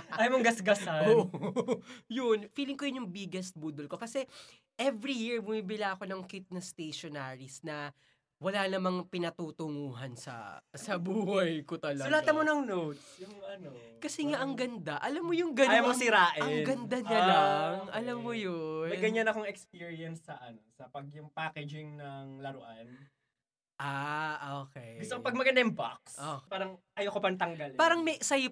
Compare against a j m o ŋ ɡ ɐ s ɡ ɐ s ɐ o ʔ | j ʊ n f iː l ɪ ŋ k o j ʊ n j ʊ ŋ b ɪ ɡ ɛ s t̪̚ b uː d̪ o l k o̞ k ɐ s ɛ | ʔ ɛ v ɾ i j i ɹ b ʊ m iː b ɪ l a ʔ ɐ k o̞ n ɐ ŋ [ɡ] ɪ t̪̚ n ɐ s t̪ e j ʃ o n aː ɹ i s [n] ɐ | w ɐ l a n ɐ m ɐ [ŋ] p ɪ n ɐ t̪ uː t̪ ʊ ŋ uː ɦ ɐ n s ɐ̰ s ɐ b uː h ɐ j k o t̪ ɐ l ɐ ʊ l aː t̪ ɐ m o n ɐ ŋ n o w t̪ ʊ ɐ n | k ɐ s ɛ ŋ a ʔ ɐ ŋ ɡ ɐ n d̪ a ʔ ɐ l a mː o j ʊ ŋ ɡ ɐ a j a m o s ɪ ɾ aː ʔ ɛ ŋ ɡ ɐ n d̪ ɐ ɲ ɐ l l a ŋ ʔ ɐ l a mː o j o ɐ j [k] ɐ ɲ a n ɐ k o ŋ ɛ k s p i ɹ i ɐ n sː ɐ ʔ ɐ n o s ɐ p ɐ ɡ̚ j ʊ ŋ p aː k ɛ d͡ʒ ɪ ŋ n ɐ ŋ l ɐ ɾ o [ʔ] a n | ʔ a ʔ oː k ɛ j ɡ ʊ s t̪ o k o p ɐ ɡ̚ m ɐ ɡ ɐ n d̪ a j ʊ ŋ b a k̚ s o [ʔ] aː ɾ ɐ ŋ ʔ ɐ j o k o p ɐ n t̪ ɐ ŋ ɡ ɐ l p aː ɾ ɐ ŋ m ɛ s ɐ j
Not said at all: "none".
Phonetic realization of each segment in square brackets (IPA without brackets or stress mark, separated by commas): k, n, ŋ, ɡ, ʔ, p